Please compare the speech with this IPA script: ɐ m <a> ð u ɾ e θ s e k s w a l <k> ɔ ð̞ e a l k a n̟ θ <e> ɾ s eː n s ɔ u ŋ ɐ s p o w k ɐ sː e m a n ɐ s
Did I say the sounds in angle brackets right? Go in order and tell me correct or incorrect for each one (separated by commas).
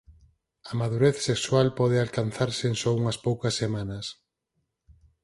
correct, incorrect, incorrect